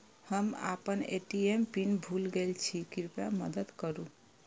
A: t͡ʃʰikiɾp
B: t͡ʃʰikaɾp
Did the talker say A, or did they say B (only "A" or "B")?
A